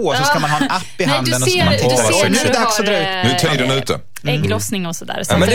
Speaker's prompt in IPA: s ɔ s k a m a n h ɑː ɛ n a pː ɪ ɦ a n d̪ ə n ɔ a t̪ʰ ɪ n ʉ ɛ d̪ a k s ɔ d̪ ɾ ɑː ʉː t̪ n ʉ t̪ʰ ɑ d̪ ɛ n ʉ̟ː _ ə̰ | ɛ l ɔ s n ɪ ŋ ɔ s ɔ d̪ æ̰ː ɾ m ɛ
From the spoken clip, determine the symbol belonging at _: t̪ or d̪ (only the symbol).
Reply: t̪